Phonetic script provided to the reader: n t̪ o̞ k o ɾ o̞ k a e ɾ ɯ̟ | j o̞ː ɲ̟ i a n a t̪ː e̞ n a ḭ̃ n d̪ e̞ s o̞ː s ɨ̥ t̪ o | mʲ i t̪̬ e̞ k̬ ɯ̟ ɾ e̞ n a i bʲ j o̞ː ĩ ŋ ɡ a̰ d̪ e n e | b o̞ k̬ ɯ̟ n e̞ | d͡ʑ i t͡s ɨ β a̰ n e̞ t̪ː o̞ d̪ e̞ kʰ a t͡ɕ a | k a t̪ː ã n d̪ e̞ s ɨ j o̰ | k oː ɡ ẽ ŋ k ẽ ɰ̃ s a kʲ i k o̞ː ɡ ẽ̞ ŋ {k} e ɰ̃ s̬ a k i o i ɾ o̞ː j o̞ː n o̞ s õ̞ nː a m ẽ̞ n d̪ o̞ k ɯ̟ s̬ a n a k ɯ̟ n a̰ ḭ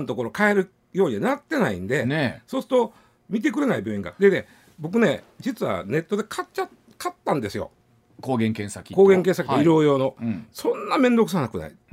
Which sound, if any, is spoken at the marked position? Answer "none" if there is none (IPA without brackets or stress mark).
k